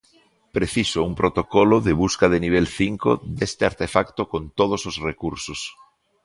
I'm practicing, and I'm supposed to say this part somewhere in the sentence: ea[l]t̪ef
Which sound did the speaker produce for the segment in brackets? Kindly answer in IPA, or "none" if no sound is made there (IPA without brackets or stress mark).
ɾ